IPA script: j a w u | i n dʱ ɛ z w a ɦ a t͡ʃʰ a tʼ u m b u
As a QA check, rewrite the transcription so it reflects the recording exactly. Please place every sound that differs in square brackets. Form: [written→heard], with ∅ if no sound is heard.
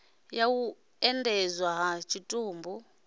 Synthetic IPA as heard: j a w u | [i→ɛ] n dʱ ɛ z w a ɦ a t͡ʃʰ [a→i] tʼ [u→uː] m b u

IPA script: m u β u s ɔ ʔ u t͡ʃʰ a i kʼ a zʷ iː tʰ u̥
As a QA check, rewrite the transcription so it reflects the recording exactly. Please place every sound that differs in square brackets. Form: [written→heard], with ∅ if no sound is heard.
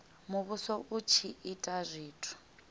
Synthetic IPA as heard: m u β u s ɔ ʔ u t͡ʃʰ [a→i] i [kʼ→tʼ] a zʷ iː tʰ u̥

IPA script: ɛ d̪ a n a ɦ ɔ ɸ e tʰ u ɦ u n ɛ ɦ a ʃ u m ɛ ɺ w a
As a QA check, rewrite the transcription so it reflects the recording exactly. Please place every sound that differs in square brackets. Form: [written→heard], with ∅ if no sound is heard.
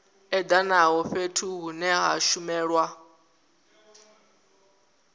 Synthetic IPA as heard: ɛ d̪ a n a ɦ ɔ ɸ e tʰ u ɦ u n ɛ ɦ a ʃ u m [ɛ→ɛː] ɺ w a

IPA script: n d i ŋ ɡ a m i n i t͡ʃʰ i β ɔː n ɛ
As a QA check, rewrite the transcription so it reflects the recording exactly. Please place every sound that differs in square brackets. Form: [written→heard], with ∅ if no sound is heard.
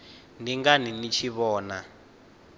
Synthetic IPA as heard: n d i ŋ ɡ a [m→n] i n i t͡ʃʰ i β ɔː n [ɛ→a]

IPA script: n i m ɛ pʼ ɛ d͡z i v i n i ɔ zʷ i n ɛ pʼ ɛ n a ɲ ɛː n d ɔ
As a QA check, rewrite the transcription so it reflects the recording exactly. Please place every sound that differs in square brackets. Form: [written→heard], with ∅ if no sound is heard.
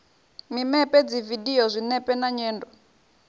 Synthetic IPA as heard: [n→m] i m ɛ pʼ ɛ d͡z i v i [n→d] i ɔ zʷ i n ɛ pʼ ɛ n a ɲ ɛː n d ɔ

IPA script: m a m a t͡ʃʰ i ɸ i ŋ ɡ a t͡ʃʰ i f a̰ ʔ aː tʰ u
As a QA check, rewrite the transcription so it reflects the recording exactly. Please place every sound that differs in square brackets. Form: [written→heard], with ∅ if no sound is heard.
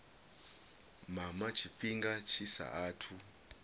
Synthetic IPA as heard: m a m a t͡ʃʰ i ɸ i ŋ ɡ a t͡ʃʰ i [f→s] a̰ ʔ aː tʰ u

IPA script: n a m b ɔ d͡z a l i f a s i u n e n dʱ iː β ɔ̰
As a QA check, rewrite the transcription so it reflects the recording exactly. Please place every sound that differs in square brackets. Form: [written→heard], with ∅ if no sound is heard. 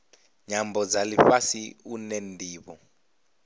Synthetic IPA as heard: [n→ɲ] a m b ɔ d͡z a l i f a s i u n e n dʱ iː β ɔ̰

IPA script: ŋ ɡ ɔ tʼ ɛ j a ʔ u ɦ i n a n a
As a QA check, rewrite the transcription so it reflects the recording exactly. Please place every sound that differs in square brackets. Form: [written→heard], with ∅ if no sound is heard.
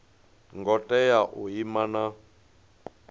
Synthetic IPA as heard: ŋ ɡ ɔ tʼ ɛ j a ʔ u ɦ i [n→m] a n a

